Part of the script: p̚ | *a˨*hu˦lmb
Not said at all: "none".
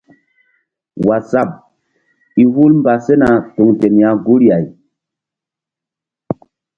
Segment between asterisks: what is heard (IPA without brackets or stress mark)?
i˨